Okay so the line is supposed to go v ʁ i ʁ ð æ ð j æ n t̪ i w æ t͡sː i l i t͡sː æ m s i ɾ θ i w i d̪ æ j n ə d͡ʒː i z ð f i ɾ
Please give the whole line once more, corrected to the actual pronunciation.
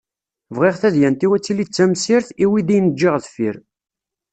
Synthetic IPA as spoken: v ʁ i ʁ θ æ ð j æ n t̪ i w æ t͡sː i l i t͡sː æ m s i ɾ θ i w i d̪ i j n ə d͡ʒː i ʁ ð f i ɾ